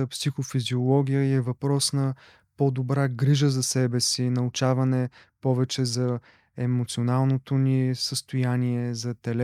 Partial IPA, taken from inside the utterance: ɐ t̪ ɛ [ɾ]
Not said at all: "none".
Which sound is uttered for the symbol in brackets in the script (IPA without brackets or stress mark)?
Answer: l